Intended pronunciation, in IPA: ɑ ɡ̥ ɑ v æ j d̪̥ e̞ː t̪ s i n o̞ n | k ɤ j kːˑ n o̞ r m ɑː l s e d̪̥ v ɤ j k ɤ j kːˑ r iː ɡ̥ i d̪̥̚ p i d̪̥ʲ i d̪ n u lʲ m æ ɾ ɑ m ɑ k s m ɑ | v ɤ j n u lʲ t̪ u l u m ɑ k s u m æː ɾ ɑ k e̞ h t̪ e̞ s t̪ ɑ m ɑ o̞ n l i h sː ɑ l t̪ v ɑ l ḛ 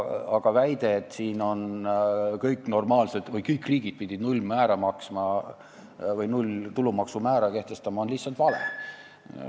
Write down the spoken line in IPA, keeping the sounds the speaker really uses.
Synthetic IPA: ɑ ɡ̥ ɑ v æ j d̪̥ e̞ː t̪ s iː n o̞ n | k ɤ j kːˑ n o̞ r m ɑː l s e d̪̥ v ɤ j k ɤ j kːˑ r iː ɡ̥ i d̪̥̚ p i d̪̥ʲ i d̪ n u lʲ m æː ɾ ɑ m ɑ k s m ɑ | v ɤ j n u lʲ t̪ u l u m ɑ k s u m æː ɾ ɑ k e̞ h t̪ e̞ s t̪ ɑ m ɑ o̞ n l i h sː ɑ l t̪ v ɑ l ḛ

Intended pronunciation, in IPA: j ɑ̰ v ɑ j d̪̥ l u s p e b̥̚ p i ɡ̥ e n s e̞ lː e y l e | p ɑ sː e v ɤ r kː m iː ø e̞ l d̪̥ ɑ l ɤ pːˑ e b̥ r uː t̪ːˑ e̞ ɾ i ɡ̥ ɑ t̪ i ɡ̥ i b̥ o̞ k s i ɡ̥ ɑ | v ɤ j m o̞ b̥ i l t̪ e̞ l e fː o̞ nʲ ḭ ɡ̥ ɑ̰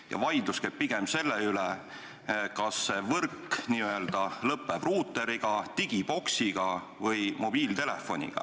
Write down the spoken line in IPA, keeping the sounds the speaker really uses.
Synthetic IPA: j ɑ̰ v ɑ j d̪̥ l u s k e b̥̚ p i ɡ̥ e m s e̞ lː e y l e | k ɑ sː e v ɤ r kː n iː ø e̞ l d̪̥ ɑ l ɤ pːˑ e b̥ r uː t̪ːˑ e̞ ɾ i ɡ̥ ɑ t̪ i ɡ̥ i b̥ o̞ k s i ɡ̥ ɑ | v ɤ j m o̞ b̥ iː l t̪ e̞ l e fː o̞ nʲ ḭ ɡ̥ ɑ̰

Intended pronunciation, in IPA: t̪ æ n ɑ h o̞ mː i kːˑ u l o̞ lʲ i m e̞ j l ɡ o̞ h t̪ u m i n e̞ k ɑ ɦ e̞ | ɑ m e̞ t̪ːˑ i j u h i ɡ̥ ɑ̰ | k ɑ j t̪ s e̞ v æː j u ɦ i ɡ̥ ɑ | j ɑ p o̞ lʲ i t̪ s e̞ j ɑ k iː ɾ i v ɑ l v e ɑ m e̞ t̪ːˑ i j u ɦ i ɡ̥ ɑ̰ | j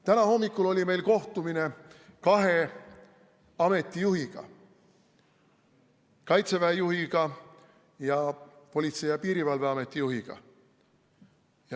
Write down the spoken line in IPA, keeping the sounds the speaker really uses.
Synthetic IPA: t̪ æ n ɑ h o̞ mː i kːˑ u l o̞ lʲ i m e̞ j l k o̞ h t̪ u m i n e̞ k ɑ ɦ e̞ | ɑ m e̞ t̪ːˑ i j u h i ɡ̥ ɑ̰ | k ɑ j t̪ s e̞ v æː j u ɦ i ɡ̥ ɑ | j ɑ p o̞ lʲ i t̪ s e̞ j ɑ p iː ɾ i v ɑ l v e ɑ m e̞ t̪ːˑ i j u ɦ i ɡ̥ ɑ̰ | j

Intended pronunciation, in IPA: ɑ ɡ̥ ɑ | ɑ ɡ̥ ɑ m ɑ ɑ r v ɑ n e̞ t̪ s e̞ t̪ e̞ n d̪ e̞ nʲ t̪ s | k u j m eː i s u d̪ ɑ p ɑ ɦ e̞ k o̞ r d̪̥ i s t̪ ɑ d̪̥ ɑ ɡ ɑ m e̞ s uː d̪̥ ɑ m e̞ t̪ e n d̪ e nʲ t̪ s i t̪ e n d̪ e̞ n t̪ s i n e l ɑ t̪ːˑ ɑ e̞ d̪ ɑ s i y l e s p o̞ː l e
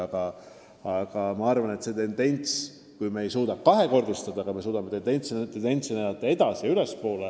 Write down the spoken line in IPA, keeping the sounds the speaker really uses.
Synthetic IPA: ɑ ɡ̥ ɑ | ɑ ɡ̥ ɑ m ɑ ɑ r v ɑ n e̞ t̪ s e̞ t̪ e̞ n d̪ e̞ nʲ t̪ s | k u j m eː j s uː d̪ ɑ k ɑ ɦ e̞ k o̞ r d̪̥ i s t̪ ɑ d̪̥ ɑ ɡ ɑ m e̞ s uː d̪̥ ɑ m e̞ t̪ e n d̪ e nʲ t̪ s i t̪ e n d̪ e̞ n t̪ s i n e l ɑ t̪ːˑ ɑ e̞ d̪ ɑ s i y l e s p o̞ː l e

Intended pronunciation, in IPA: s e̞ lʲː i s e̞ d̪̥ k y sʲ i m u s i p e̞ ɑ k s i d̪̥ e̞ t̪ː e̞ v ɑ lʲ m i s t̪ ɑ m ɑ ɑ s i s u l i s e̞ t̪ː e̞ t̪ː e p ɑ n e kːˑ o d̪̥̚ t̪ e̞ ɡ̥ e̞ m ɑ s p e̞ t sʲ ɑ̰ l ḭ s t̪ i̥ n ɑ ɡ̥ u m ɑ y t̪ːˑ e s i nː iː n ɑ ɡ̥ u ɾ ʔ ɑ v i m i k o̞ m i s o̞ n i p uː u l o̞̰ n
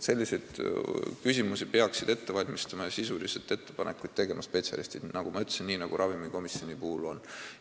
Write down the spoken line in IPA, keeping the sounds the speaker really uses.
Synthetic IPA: s e̞ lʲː i s e̞ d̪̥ k y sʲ i m u s i p e̞ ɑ k s i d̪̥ e̞ t̪ː e̞ v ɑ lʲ m i s t̪ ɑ m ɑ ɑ s i s u l i s e̞ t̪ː e̞ t̪ː e p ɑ n e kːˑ u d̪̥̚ t̪ e̞ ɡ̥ e̞ m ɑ s p e̞ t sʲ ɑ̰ l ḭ s t̪ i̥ n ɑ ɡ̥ u m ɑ y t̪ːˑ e s i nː iː n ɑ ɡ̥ u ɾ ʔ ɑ v i m i k o̞ m i s o̞ n i p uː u l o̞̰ n

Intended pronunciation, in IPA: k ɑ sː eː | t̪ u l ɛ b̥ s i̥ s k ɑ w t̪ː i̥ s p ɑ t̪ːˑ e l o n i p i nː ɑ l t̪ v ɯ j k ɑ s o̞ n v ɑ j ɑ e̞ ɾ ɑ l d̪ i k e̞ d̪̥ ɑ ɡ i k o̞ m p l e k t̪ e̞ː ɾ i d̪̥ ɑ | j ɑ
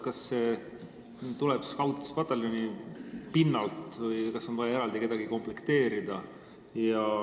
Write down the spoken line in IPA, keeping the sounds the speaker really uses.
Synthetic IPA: k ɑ sː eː | t̪ u l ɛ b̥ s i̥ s k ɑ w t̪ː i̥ s p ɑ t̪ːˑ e l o n i p i nː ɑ l t̪ v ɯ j k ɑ s o̞ n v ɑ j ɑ e̞ ɾ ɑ l d̪ i k e̞ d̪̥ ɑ ɡ i k o̞ m p l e k t̪ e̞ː ɾ i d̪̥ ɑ | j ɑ

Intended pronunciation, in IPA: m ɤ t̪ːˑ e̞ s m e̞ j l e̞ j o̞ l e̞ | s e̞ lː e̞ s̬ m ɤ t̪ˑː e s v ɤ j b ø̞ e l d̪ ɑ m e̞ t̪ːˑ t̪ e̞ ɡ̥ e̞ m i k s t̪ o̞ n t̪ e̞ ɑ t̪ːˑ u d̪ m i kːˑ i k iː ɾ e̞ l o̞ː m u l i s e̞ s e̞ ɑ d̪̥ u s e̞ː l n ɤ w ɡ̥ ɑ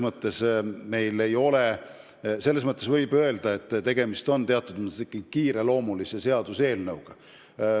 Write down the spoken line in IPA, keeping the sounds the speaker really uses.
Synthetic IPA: m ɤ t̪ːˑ e̞ s m e̞ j l e̞ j o̞ l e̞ | s e̞ lː e̞ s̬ m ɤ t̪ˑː e s v ɤ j b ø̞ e l d̪ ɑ e̞ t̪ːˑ t̪ e̞ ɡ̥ e̞ m i s t̪ o̞ n t̪ e̞ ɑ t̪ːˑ u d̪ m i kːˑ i k iː ɾ e̞ l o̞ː m u l i s e̞ s e̞ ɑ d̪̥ u s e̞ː l n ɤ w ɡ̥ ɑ

